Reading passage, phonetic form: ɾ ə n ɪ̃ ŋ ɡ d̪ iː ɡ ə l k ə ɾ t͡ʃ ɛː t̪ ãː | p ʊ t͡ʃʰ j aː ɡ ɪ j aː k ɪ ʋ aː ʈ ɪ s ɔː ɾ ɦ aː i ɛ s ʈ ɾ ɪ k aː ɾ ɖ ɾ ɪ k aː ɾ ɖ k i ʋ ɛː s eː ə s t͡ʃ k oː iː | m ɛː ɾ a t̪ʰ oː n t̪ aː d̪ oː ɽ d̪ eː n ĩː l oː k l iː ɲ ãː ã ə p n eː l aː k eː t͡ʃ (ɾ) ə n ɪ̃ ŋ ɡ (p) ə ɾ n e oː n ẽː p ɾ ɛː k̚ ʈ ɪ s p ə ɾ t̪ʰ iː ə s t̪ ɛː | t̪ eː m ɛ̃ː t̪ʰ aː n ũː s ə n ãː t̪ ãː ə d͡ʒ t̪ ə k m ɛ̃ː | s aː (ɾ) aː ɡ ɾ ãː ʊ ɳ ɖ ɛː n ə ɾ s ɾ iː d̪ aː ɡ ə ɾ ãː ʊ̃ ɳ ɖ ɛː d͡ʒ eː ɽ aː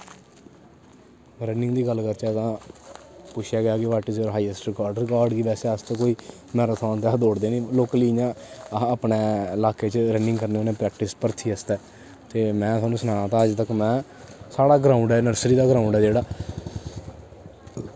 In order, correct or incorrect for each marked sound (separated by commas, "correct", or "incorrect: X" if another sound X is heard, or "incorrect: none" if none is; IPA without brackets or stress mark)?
correct, incorrect: k, incorrect: ɽ